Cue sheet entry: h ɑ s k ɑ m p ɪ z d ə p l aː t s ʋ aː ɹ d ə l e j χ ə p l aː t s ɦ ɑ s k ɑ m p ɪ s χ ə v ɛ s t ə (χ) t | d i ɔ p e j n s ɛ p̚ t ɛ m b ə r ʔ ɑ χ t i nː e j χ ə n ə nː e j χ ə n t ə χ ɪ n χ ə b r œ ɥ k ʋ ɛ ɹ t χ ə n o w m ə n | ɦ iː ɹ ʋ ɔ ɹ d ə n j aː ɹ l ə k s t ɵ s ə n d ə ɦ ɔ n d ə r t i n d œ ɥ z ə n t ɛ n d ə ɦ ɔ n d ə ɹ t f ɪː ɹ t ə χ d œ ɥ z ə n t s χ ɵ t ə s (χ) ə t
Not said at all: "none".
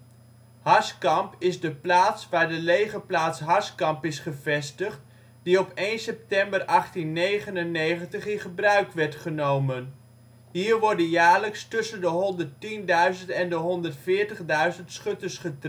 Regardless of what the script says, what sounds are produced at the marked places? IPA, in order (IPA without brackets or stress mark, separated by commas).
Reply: χ, χ